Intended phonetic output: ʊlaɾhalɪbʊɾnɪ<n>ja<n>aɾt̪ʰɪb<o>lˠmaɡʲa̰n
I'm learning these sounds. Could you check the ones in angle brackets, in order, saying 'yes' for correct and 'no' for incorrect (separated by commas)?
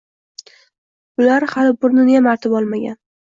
yes, no, no